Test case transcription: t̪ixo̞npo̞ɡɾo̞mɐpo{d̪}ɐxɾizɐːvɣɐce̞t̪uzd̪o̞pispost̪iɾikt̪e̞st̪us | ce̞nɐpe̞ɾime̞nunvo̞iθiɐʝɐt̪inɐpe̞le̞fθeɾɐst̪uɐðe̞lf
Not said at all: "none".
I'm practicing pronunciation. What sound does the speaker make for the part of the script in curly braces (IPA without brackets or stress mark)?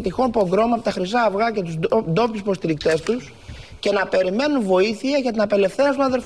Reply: t̪